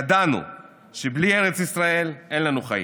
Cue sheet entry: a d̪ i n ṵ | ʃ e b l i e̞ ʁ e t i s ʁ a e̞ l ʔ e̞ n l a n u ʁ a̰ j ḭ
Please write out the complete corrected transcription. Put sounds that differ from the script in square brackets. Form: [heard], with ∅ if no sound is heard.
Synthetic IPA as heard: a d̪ [a] n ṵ | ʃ e b l i e̞ ʁ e [t͡s] i s ʁ a e̞ l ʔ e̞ n l a n u [χ] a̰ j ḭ